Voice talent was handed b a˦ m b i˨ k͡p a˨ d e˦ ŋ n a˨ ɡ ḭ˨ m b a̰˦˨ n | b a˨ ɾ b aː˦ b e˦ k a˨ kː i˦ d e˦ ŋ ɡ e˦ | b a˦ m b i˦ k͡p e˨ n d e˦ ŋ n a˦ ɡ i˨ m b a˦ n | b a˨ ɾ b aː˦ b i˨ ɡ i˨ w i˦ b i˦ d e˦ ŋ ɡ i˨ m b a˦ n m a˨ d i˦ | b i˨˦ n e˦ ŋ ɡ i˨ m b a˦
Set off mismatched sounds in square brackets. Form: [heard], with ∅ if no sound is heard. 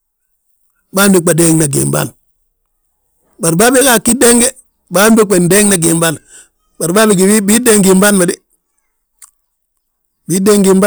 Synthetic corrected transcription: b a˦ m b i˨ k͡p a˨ d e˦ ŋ n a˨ ɡ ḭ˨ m b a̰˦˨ n | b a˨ ɾ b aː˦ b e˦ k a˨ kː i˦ d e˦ ŋ ɡ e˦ | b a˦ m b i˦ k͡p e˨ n d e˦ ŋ n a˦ ɡ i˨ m b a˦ n | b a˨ ɾ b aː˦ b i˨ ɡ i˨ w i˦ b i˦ d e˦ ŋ ɡ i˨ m b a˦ n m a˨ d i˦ | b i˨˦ [d] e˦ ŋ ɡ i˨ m b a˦